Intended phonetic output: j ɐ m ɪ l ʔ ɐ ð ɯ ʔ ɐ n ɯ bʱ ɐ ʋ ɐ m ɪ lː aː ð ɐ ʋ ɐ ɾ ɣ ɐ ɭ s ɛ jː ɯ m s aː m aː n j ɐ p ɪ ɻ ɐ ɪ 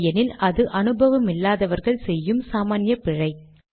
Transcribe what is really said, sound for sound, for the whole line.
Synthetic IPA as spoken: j ɐ n ɪ l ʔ ɐ ð ɯ ʔ ɐ n ɯ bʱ ɐ ʋ ɐ m ɪ lː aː ð ɐ ʋ ɐ ɾ ɣ ɐ ɭ s ɛ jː ɯ m s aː m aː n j ɐ p ɪ ɻ ɐ ɪ